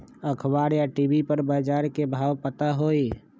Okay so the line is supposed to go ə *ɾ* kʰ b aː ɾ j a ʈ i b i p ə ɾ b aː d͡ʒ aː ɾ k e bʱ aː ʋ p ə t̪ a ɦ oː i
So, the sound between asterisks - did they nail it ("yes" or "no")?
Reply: no